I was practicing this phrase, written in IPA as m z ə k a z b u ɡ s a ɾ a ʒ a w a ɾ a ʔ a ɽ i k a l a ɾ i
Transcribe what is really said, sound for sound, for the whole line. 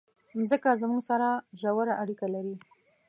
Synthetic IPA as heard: m z ə k a z m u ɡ s a ɾ a ʒ a w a ɾ a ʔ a ɽ i k a l a ɾ i